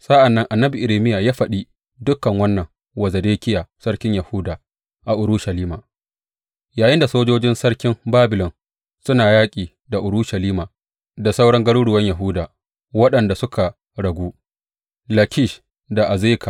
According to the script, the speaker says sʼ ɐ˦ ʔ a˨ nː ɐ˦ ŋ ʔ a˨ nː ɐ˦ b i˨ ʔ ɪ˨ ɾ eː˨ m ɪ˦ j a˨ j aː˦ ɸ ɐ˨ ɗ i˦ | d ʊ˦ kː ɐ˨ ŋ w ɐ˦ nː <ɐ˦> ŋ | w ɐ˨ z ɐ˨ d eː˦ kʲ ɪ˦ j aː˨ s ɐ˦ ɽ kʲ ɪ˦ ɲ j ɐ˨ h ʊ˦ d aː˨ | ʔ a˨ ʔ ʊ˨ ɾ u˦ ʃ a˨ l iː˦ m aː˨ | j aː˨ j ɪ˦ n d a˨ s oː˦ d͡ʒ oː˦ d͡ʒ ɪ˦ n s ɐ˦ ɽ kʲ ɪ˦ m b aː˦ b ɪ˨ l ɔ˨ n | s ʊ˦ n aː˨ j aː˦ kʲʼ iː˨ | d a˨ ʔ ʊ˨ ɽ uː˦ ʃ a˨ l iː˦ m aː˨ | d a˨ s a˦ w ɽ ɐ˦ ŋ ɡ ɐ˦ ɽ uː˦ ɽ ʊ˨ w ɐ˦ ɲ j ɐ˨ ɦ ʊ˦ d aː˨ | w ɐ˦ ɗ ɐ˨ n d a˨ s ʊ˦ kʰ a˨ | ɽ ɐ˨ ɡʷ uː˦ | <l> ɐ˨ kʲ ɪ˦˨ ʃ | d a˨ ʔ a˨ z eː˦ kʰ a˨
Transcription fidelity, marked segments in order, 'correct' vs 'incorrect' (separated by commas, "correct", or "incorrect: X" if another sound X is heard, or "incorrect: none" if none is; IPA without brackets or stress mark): incorrect: ɐ˨, correct